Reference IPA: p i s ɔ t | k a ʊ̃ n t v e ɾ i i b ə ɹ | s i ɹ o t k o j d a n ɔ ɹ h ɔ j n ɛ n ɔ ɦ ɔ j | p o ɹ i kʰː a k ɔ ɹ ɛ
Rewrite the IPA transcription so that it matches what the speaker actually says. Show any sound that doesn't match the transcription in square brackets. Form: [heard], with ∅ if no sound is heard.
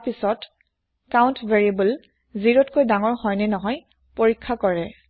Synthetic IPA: p i s ɔ t | k a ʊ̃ n t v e [ɹ] i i b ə [l] | [z] i ɹ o t k o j d a [ŋ] ɔ ɹ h ɔ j n ɛ n ɔ ɦ ɔ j | p o ɹ i kʰː a k ɔ ɹ ɛ